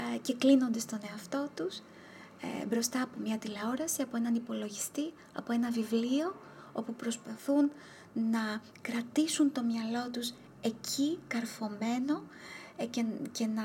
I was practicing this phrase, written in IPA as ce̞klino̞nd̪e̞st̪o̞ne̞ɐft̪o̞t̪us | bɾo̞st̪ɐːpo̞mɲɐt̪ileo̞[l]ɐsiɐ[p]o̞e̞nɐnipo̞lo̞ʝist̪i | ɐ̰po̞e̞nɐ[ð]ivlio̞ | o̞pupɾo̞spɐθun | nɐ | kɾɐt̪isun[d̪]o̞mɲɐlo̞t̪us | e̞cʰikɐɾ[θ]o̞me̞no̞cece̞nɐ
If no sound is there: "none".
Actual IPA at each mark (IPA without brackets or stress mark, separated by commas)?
ɾ, p, v, t̪, f